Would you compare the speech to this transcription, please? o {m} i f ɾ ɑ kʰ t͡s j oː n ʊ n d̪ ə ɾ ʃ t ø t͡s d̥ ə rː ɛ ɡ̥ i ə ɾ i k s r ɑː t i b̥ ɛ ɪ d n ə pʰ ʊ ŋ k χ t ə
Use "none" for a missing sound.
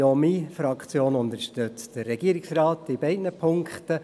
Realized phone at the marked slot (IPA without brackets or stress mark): m